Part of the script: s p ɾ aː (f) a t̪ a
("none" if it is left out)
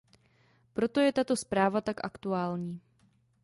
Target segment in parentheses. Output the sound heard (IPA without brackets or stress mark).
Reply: v